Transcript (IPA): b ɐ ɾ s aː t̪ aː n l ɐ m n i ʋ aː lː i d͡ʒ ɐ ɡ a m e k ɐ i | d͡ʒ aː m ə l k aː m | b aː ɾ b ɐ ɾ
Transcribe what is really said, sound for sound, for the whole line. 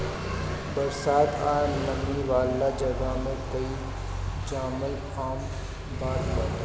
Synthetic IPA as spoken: b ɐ ɾ s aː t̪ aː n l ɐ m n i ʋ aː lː a d͡ʒ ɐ ɡ a m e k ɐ i | d͡ʒ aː m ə l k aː m | b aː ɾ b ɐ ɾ